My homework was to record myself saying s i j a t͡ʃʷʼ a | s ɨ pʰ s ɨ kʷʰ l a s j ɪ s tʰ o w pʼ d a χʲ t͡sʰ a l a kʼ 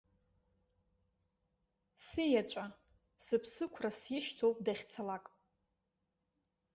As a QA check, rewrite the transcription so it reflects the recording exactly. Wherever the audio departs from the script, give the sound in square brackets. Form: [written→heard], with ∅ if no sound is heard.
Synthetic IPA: s i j a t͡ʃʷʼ a | s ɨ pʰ s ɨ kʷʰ [l→r] a s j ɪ [s→ʃ] tʰ o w pʼ d a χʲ t͡sʰ a l a kʼ